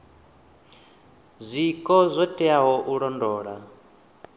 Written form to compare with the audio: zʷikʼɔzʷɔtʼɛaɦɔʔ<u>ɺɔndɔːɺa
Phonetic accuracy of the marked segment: correct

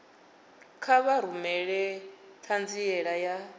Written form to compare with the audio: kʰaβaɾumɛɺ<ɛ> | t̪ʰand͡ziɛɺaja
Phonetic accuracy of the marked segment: correct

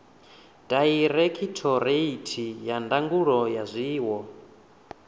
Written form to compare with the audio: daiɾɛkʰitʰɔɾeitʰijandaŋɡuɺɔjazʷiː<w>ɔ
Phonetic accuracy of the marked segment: correct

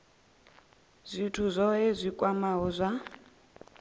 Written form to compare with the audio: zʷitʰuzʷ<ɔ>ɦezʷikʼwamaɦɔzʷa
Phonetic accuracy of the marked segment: correct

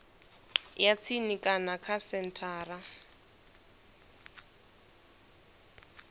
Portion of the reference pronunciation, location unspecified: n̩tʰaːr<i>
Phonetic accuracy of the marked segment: incorrect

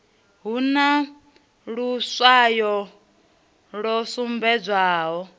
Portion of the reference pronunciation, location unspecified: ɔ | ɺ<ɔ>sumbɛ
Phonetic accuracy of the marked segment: correct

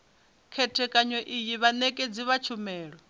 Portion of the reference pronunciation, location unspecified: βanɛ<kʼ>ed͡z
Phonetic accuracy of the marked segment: correct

